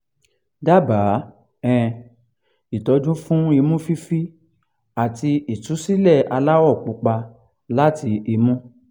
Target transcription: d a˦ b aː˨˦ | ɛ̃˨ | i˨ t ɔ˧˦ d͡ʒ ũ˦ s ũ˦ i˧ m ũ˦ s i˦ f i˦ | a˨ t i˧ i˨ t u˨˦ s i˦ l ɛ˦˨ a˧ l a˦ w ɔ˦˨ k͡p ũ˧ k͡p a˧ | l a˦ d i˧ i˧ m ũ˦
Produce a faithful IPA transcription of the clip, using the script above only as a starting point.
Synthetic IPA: d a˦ b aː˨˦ | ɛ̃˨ | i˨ t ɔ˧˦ d͡ʒ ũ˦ f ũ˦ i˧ m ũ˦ f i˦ f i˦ | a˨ t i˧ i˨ t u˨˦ s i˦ l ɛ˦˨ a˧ l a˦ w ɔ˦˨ k͡p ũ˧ k͡p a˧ | l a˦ t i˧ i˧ m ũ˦